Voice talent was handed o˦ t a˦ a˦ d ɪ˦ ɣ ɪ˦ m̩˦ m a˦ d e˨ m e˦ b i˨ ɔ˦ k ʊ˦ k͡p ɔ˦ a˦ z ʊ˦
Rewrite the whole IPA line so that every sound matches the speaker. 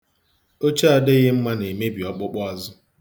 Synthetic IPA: o˦ t͡ʃ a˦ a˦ d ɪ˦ ɣ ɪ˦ m̩˦ m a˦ n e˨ m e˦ b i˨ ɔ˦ k͡p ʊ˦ k͡p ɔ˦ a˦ z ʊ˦